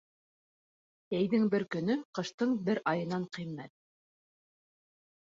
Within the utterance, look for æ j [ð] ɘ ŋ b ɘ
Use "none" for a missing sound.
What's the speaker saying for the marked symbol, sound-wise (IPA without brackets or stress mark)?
ð